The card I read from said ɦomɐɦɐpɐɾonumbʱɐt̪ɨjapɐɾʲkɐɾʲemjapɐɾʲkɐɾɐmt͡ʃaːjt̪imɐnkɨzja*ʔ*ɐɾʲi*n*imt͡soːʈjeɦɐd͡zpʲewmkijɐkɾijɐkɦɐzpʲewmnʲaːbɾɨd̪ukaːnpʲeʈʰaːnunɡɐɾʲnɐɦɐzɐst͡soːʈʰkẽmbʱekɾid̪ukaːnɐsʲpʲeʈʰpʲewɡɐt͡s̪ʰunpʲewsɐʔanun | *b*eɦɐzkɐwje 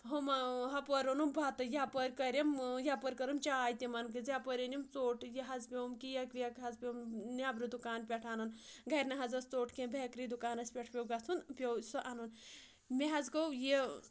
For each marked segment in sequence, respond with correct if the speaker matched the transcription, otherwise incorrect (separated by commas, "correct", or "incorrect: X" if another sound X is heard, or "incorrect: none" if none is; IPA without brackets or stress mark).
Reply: incorrect: p, correct, incorrect: m